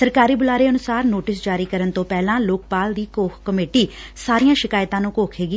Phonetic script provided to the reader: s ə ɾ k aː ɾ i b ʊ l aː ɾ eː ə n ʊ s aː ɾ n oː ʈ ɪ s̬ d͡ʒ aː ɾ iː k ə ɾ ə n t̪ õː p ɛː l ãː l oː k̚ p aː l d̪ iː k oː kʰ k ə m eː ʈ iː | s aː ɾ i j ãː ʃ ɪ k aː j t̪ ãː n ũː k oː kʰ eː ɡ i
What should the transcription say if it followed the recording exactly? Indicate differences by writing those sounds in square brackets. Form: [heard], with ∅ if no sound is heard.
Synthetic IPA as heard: s ə ɾ k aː ɾ [iː] b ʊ l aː ɾ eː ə n ʊ s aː ɾ n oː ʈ ɪ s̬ d͡ʒ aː ɾ iː k ə ɾ ə n t̪ õː p ɛː l ãː l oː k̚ p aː l d̪ iː k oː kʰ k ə m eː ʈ iː | s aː ɾ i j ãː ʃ ɪ k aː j t̪ ãː n ũː k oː kʰ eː ɡ i